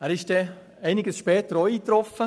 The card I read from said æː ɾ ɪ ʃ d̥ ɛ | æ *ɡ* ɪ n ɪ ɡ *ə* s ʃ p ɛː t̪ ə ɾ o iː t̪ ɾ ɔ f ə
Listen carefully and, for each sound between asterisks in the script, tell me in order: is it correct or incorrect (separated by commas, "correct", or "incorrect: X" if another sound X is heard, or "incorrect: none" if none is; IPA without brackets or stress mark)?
incorrect: none, correct